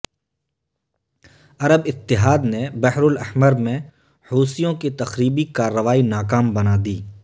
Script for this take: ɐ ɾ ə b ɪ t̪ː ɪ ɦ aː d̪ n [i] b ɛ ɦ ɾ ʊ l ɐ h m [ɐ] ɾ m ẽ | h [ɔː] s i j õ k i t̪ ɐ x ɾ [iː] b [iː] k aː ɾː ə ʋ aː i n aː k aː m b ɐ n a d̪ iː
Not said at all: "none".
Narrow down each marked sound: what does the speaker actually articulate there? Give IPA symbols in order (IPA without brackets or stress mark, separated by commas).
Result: e, ə, uː, iː, i